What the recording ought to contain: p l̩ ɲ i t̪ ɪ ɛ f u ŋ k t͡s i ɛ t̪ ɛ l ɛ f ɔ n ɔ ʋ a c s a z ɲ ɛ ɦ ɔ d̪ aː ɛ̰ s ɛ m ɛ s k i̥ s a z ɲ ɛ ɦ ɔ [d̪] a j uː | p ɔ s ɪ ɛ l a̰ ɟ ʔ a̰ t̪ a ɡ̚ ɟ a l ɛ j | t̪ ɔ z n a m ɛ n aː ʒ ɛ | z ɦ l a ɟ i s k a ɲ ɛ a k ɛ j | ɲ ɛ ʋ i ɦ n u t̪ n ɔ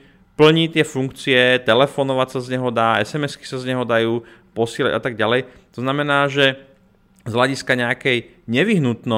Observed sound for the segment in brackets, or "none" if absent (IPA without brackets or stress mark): d̪